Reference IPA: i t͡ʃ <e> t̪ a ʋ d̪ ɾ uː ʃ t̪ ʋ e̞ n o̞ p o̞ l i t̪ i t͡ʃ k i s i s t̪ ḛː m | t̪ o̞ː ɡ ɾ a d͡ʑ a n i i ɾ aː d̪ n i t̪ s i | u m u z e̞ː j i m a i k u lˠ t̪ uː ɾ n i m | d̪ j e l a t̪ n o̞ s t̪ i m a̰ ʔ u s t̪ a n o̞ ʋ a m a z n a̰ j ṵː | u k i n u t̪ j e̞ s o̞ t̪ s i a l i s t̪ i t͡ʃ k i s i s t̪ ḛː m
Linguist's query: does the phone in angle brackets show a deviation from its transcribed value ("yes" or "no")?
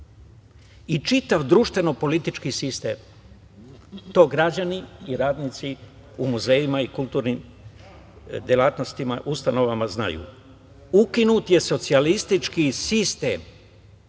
yes